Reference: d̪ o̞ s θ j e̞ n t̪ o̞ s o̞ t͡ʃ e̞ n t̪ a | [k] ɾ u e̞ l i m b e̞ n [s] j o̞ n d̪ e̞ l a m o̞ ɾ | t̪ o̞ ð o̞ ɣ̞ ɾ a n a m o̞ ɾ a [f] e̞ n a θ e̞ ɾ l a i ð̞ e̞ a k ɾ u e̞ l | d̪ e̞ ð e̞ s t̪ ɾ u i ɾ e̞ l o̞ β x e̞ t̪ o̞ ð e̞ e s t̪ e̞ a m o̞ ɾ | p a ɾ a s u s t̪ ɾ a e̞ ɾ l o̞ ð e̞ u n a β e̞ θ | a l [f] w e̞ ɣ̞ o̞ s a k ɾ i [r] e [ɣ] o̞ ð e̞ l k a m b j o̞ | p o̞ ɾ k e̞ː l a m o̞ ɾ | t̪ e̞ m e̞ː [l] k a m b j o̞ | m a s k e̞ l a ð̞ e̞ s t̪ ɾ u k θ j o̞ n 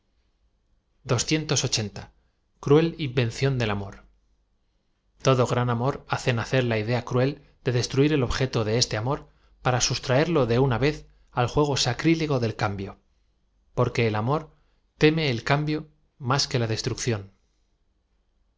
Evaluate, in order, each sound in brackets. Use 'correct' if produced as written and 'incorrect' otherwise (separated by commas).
correct, incorrect, incorrect, incorrect, incorrect, correct, correct